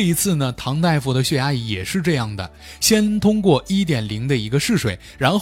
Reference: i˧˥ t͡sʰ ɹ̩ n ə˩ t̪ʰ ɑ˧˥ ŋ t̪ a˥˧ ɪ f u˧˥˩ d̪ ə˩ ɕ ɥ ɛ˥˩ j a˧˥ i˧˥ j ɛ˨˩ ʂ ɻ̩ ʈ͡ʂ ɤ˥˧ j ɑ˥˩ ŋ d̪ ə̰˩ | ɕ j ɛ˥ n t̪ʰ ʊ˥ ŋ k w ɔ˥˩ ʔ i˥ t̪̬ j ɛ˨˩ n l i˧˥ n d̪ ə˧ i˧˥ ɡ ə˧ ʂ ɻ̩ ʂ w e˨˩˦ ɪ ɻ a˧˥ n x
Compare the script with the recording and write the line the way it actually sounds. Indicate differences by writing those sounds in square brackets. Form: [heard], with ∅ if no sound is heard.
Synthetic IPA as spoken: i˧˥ t͡sʰ ɹ̩ n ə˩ t̪ʰ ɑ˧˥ ŋ t̪ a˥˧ ɪ f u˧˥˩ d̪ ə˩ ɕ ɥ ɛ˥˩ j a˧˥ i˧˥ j ɛ˨˩ ʂ ɻ̩ ʈ͡ʂ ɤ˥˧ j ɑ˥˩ ŋ d̪ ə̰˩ | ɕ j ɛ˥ n t̪ʰ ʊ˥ ŋ k w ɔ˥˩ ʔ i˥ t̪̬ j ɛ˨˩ n l i˧˥ [ŋ] d̪ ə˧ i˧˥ ɡ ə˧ ʂ ɻ̩ ʂ w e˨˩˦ ɪ ɻ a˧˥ n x